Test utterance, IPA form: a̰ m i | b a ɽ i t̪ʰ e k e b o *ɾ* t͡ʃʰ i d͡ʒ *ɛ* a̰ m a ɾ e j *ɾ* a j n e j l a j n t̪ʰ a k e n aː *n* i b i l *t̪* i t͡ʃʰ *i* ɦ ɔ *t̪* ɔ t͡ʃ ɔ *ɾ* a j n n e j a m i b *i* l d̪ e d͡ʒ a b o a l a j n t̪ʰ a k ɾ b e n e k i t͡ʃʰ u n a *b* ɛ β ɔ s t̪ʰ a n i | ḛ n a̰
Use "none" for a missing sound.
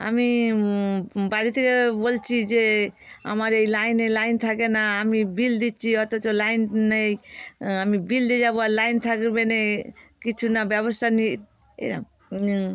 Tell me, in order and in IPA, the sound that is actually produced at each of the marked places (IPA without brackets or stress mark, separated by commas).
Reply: l, e, l, m, d̪, i, t̪, l, i, b